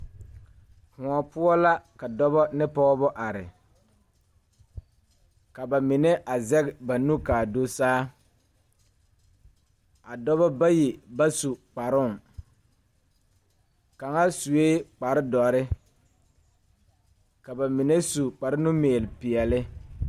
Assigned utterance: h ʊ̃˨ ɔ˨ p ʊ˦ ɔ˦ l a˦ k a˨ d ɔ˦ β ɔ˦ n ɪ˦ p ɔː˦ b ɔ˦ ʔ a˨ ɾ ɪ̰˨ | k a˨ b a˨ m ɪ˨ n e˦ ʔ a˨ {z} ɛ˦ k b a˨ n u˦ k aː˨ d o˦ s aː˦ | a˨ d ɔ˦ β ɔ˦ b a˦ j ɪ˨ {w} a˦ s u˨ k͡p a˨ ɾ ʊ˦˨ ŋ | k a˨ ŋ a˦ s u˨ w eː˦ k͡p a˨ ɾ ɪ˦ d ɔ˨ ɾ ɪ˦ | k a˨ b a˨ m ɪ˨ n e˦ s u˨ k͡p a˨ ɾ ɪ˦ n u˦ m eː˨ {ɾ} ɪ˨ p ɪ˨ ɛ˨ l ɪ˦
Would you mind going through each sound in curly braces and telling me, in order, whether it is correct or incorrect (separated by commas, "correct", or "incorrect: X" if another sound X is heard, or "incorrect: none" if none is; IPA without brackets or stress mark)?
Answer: correct, incorrect: b, incorrect: l